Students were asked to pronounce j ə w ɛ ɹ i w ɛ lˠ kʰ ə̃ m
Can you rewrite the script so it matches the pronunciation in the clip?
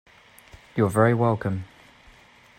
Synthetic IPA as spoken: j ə v ɛ ɹ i w ɛ lˠ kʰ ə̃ m